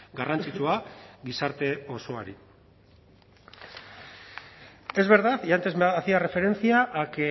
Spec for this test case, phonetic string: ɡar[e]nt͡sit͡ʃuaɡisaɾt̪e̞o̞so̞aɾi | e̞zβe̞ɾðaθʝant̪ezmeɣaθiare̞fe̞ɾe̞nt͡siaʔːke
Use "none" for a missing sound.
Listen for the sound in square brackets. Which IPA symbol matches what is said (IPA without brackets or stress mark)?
a